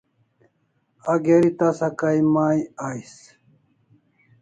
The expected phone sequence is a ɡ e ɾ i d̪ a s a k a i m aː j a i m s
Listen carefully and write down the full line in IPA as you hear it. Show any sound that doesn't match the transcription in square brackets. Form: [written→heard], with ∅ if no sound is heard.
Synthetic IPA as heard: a ɡ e ɾ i [d̪→t̪] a s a k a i m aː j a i [m→∅] s